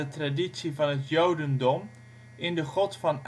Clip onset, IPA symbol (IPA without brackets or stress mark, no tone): ə